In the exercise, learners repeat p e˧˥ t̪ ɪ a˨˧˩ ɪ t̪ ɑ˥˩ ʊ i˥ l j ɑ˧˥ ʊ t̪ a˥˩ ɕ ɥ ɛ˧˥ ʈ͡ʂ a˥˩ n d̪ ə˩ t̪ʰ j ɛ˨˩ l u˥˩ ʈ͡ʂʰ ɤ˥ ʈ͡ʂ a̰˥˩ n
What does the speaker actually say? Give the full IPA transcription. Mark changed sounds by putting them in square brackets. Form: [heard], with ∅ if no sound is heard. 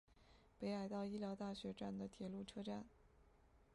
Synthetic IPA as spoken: p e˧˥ [∅] ɪ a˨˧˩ ɪ t̪ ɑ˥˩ ʊ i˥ l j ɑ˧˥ ʊ t̪ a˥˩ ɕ ɥ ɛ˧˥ ʈ͡ʂ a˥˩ n d̪ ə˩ t̪ʰ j ɛ˨˩ l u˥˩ ʈ͡ʂʰ ɤ˥ ʈ͡ʂ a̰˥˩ n